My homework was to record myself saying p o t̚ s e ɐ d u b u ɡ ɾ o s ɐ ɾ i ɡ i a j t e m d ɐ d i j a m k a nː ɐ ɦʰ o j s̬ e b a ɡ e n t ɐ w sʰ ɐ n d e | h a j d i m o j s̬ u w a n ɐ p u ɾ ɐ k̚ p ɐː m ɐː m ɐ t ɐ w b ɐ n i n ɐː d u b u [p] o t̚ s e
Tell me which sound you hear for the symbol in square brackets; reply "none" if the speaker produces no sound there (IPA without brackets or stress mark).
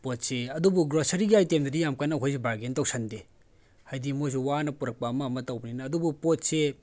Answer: p